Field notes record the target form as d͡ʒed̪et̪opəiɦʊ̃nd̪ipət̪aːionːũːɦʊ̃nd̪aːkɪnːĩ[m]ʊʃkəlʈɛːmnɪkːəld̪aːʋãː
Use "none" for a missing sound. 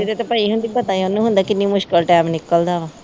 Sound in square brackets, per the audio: m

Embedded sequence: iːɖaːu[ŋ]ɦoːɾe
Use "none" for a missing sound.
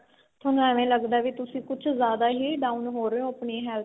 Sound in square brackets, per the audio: n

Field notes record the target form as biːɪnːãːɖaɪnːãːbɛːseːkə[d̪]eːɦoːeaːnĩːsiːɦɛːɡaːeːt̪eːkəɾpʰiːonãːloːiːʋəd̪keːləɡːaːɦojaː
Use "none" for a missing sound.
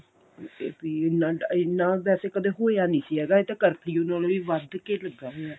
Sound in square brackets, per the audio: d̪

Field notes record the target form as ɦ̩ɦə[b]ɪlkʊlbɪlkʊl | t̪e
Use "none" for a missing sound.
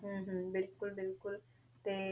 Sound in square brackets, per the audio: b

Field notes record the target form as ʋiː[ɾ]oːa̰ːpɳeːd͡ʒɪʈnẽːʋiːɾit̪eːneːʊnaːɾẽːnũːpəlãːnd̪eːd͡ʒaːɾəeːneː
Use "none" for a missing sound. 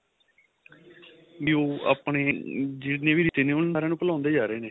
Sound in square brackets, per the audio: none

